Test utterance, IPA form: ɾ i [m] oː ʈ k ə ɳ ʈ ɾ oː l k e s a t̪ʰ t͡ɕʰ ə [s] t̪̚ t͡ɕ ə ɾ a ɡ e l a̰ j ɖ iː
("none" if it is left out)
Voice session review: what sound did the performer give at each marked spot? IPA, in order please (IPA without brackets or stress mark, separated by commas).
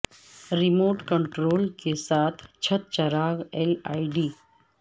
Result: m, none